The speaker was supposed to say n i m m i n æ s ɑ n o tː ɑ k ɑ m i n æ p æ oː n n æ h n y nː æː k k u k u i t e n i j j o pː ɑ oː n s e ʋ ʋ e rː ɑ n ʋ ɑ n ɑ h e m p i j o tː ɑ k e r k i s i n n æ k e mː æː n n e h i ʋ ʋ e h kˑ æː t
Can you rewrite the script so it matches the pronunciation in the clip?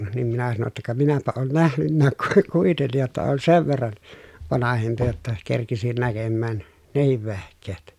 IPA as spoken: n i m m i n æ s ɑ n o tː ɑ k ɑ m i n æ p æ oː n n æ h n y nː æː k k u k u i t e nː i j j o tː ɑ oː n s e ʋ ʋ e rː ɑ n ʋ ɑ n ɑ h e m p i j o tː ɑ k e r k i s i n n æ k e mː æː n n e h i ʋ ʋ e h kˑ eː t